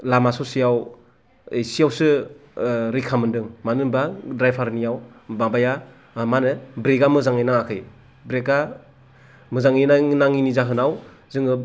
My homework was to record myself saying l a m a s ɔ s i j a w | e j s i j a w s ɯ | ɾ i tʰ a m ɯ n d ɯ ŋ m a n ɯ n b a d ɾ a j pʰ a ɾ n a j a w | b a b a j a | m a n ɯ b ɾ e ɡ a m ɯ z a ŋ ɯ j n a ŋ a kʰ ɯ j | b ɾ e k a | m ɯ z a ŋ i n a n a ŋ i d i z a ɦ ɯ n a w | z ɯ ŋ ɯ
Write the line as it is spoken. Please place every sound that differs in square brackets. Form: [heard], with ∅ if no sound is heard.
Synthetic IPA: l a m a s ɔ s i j a w | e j s i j a w s ɯ | ɾ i [kʰ] a m ɯ n d ɯ ŋ m a n ɯ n b a d ɾ a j pʰ a ɾ n [i] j a w | b a b a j a | m a n ɯ b ɾ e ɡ a m ɯ z a ŋ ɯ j n a ŋ a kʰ ɯ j | b ɾ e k a | m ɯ z a ŋ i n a n a ŋ i [n] i z a ɦ ɯ n a w | z ɯ ŋ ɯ